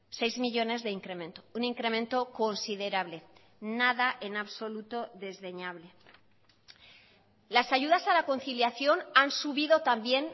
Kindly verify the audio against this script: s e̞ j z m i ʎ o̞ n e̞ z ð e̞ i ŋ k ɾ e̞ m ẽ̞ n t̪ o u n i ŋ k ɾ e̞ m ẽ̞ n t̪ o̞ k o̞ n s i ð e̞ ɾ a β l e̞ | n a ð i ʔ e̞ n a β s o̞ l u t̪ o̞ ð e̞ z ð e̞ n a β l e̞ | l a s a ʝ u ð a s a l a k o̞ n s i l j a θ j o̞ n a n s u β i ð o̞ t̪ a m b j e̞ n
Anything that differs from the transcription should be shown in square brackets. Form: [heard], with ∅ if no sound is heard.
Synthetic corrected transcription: s e̞ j z m i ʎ o̞ n e̞ z ð e̞ i ŋ k ɾ e̞ m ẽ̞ n t̪ o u n i ŋ k ɾ e̞ m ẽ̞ n t̪ o̞ k o̞ n s i ð e̞ ɾ a β l e̞ | n a ð [a] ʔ e̞ n a β s o̞ l u t̪ o̞ ð e̞ z ð e̞ [ɲ] a β l e̞ | l a s a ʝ u ð a s a l a k o̞ n [θ] i l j a θ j o̞ n a n s u β i ð o̞ t̪ a m b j e̞ n